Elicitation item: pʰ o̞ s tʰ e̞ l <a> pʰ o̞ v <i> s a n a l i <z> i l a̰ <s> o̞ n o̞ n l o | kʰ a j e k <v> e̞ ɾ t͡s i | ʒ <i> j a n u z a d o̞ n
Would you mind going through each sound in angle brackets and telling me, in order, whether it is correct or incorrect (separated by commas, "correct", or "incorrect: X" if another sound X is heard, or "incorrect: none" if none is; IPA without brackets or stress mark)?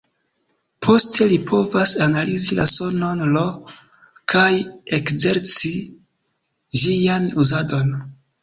incorrect: i, incorrect: a, correct, correct, incorrect: z, correct